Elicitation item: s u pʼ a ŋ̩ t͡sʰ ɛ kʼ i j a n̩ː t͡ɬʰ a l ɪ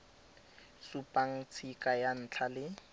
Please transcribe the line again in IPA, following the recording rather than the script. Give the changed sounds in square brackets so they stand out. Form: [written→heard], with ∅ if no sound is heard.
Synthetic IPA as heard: s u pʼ a ŋ̩ t͡sʰ [ɛ→i] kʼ [i→a] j a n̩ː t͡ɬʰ a l ɪ